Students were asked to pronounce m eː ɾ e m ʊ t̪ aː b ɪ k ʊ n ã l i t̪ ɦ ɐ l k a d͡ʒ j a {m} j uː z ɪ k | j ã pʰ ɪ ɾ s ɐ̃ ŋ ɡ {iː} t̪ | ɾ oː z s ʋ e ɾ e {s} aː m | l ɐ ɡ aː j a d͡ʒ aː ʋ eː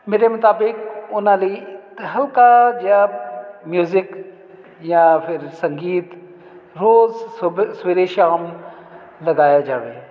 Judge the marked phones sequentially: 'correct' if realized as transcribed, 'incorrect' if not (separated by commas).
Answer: correct, correct, incorrect